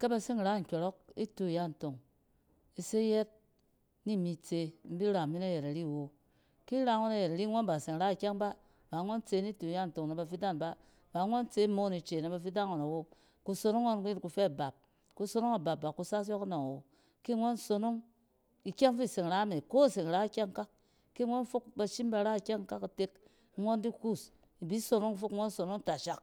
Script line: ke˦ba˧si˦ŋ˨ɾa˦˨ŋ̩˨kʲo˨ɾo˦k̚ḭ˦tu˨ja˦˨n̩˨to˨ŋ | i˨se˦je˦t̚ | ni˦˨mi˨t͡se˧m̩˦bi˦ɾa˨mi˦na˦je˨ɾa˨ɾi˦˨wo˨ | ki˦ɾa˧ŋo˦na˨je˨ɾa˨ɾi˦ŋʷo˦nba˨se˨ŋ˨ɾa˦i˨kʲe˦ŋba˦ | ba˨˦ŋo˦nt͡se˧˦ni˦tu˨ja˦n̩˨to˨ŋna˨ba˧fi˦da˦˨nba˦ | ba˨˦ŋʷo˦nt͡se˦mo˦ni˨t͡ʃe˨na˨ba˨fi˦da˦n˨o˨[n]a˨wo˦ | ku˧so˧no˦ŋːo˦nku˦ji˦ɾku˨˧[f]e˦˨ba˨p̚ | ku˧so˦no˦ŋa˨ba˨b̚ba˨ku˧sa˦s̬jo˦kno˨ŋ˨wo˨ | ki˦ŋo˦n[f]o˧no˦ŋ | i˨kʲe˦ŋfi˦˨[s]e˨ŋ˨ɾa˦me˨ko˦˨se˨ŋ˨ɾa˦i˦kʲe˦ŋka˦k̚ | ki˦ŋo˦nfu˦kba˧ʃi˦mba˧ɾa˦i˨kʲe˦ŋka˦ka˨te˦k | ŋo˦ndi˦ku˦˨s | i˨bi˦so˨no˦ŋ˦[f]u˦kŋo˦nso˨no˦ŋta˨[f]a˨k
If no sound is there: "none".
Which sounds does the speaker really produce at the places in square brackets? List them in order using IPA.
n, f, s, s, f, ʃ

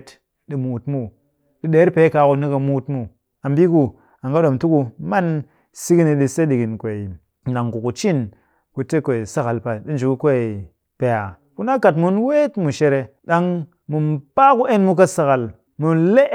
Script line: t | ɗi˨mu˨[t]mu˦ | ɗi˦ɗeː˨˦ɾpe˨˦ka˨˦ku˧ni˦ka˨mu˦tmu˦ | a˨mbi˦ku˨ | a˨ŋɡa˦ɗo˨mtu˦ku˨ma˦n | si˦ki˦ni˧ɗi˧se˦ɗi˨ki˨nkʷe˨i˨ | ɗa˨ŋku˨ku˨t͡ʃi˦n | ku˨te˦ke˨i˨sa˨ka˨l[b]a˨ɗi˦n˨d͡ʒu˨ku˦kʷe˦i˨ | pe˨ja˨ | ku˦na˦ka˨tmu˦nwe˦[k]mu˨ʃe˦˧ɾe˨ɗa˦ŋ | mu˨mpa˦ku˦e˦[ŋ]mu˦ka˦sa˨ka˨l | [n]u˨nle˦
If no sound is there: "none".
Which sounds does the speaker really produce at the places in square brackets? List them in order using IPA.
t, p, t, n, m

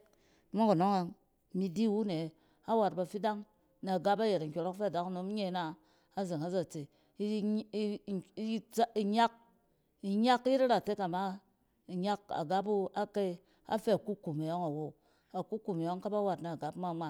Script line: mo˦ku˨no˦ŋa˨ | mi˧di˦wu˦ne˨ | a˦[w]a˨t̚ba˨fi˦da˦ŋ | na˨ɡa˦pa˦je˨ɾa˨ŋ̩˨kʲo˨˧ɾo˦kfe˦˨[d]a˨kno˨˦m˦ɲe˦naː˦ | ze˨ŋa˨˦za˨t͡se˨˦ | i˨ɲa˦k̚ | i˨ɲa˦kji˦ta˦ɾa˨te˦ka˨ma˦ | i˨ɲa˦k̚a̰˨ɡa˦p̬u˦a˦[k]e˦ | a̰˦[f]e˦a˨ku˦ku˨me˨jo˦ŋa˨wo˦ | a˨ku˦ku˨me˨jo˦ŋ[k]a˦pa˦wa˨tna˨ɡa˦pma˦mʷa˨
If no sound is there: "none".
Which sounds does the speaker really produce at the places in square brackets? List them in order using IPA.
w, d, k, f, k

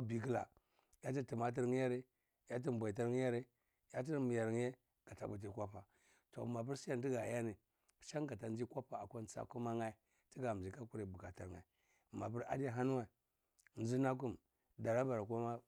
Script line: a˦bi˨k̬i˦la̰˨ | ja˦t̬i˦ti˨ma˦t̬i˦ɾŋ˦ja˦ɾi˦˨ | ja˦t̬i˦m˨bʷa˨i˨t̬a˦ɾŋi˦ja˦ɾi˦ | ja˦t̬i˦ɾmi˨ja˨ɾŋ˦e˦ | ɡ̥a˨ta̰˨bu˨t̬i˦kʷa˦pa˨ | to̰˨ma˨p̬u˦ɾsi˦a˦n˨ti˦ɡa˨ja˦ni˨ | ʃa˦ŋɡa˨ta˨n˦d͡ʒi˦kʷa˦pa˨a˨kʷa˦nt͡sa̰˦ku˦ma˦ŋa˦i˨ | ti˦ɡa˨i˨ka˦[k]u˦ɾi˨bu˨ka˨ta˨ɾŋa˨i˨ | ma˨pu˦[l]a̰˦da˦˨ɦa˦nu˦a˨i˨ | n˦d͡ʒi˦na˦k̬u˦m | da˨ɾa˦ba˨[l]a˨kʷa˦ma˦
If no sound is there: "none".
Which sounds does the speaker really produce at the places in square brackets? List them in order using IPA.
k, ɾ, ɾ

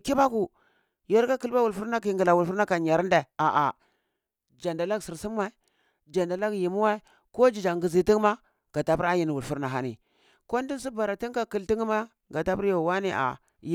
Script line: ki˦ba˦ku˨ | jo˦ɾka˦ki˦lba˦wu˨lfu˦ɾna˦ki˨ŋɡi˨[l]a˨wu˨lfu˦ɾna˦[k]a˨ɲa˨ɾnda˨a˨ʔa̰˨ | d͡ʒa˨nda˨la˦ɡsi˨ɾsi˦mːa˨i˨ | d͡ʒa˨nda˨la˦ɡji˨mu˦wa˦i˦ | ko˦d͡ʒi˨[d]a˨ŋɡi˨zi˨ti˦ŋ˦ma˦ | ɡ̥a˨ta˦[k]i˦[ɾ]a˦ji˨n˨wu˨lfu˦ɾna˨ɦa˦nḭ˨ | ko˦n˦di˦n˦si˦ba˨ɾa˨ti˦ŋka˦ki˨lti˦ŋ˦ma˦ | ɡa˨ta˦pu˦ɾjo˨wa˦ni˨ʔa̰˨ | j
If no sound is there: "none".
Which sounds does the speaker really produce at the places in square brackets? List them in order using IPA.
l, k, d͡ʒ, p, ɾ

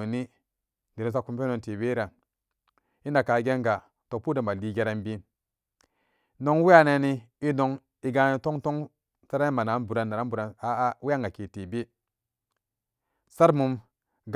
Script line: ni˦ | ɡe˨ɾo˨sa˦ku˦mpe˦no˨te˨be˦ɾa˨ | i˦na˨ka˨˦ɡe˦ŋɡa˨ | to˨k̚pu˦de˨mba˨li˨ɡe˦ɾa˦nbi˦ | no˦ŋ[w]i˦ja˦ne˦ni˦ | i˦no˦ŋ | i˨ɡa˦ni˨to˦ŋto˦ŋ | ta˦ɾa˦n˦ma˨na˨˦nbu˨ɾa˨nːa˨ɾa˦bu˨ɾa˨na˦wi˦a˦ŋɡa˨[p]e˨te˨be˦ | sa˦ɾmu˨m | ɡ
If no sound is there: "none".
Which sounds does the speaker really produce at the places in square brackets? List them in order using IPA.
w, k

